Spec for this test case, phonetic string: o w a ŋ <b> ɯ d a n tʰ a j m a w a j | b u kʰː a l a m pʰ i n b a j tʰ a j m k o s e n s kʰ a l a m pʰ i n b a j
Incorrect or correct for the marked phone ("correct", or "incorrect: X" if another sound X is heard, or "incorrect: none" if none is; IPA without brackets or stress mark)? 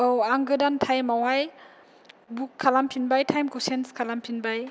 incorrect: ɡ